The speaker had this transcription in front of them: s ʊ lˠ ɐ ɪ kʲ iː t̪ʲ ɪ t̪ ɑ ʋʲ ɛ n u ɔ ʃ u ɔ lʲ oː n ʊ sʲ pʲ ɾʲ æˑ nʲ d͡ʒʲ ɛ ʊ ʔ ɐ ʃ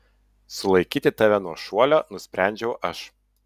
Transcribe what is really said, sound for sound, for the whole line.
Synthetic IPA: s ʊ lˠ ɐ ɪ kʲ iː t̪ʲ ɪ t̪ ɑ ʋʲ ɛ n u ɔ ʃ u ɔ lʲ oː n ʊ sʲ pʲ ɾʲ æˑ nʲ d͡ʒʲ ɛ ʊ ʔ ɐ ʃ